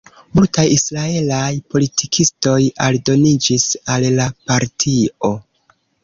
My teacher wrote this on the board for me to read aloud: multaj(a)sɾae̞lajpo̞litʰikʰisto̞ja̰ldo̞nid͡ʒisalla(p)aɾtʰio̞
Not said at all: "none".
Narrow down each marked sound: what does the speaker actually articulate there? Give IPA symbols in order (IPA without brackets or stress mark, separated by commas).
i, p